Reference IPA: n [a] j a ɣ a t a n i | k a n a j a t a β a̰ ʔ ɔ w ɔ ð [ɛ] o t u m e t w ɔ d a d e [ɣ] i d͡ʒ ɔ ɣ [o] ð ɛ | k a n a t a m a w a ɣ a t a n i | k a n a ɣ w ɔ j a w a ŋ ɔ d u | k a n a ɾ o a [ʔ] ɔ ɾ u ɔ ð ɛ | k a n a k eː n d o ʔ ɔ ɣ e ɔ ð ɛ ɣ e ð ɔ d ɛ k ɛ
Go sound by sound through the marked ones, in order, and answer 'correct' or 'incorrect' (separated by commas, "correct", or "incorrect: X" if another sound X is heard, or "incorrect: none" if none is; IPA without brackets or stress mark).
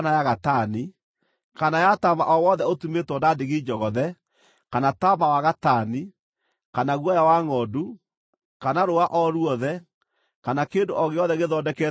correct, correct, correct, incorrect: ɔ, correct